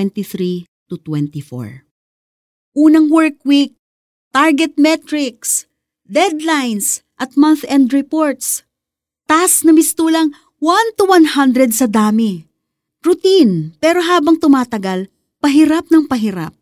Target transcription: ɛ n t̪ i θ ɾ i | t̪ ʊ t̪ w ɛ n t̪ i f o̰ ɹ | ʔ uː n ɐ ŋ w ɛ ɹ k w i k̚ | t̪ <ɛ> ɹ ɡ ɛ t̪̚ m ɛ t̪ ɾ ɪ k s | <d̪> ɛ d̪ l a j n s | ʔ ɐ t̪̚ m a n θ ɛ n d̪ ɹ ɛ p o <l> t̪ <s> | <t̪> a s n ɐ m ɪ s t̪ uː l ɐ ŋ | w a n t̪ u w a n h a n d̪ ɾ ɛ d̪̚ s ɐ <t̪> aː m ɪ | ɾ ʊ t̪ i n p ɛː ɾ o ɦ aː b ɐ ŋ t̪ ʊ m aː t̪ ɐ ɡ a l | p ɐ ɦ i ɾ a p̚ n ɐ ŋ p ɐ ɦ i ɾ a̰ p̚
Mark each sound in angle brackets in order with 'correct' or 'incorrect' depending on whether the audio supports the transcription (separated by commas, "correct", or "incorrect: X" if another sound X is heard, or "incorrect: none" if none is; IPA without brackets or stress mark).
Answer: incorrect: a, correct, incorrect: ɹ, correct, correct, incorrect: d̪